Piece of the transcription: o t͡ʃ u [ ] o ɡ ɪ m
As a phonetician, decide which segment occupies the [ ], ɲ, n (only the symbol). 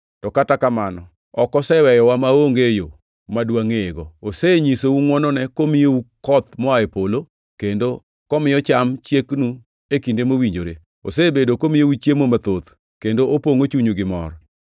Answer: ɲ